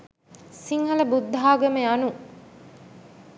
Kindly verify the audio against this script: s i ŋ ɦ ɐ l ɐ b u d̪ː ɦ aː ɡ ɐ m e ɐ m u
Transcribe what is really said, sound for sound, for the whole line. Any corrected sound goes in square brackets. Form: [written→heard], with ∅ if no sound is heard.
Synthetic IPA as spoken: s i ŋ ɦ ɐ l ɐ b u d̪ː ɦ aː ɡ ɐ m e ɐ [m→n] u